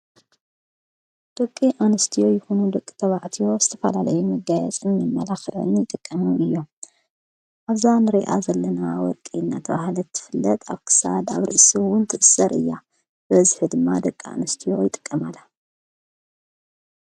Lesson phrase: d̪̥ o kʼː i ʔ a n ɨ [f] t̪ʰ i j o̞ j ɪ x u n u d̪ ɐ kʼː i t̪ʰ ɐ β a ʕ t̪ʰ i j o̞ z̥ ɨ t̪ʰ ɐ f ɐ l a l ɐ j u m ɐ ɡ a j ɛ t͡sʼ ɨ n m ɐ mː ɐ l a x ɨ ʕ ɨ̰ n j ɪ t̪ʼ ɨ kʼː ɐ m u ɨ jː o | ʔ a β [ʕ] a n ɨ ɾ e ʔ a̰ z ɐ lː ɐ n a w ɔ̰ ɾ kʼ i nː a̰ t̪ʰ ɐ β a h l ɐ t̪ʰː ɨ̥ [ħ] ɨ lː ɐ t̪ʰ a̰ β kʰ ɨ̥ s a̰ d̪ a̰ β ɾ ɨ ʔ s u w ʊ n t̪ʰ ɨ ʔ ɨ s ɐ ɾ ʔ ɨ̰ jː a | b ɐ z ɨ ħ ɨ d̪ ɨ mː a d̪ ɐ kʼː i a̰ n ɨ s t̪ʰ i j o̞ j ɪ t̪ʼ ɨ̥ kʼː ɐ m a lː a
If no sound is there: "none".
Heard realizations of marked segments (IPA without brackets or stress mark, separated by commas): s, z, f